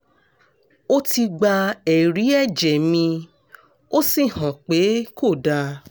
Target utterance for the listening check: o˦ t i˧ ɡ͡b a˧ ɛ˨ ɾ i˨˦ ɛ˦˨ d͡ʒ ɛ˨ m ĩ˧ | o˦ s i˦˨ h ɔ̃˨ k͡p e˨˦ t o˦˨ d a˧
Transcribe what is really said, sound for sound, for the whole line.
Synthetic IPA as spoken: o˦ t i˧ ɡ͡b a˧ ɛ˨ ɾ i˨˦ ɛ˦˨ d͡ʒ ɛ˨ m ĩ˧ | o˦ s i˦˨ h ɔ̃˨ k͡p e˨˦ k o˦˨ d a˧